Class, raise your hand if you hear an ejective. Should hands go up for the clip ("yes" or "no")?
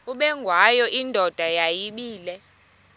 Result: no